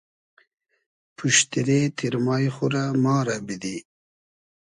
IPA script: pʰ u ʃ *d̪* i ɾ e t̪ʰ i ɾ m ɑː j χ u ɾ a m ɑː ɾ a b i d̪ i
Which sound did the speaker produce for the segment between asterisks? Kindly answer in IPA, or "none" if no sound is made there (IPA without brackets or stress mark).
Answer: t̪